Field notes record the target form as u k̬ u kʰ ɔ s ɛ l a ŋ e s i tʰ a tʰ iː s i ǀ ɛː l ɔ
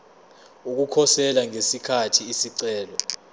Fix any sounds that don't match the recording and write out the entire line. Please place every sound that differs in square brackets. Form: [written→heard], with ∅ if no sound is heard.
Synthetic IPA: u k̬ u kʰ ɔ s ɛ l a ŋ e s i [tʰ→kʰ] a tʰ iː s i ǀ ɛː l ɔ